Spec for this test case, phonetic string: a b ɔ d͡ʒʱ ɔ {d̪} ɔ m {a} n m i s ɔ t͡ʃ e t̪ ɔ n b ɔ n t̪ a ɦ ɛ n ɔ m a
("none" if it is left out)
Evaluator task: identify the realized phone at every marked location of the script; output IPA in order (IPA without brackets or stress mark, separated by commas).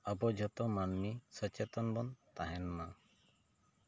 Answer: t̪, a